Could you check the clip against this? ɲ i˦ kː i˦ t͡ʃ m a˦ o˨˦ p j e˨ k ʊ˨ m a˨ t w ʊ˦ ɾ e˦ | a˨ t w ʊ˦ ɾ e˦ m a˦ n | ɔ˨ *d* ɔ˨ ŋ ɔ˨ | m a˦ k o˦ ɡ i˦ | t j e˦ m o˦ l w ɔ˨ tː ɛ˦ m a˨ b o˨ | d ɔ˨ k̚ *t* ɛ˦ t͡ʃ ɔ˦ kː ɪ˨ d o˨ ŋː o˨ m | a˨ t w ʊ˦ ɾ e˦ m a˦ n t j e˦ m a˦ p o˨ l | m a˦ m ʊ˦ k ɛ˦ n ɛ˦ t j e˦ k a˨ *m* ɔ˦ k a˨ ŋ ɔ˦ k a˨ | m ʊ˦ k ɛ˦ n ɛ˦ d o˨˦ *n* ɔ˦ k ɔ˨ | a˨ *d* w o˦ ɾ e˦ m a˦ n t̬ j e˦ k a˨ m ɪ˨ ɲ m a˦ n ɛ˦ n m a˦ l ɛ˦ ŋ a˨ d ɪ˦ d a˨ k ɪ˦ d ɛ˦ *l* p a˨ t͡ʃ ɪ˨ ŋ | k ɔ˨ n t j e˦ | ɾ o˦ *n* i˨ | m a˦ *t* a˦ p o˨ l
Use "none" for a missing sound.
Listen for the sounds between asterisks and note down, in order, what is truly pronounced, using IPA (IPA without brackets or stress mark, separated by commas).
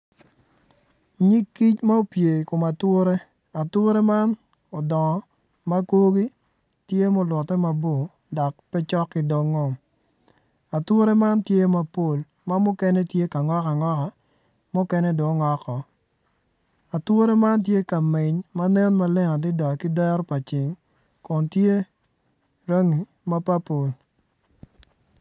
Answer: d, p, ŋ, ŋ, t, ɾ, ŋ, p